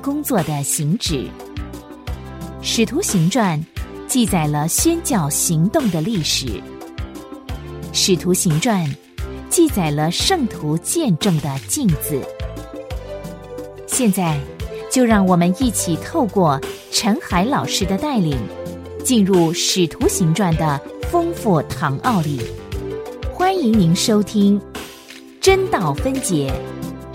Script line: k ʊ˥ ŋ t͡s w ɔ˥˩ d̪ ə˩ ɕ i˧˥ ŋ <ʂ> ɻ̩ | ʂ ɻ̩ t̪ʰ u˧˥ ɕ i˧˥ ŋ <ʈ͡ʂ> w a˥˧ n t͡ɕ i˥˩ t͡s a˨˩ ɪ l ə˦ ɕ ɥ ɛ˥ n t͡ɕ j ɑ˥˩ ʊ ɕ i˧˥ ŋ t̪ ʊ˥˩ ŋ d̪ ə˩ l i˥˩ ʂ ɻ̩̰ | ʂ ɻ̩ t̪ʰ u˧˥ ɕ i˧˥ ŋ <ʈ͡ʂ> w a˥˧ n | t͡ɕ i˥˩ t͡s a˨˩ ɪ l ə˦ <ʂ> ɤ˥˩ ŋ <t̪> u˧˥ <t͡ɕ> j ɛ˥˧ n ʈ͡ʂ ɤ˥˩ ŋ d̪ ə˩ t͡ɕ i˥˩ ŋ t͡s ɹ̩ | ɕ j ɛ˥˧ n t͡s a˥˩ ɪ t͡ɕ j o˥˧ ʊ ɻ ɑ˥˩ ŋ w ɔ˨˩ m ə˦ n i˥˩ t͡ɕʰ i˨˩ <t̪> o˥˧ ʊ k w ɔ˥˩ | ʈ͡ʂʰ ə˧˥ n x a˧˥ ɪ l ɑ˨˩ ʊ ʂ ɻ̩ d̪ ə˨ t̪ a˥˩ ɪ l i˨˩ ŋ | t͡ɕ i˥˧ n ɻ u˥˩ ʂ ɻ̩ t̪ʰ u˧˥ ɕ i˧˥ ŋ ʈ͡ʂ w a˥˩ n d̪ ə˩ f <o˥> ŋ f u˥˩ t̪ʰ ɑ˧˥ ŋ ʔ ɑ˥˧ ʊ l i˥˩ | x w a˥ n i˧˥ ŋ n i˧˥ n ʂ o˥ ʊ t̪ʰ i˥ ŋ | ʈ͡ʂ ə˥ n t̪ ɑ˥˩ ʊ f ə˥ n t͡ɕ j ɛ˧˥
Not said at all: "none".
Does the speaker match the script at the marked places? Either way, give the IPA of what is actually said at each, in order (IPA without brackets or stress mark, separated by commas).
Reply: ʈ͡ʂ, ʈ͡ʂ, ʈ͡ʂ, ʂ, t̪ʰ, t͡ɕ, t̪ʰ, ɤ˥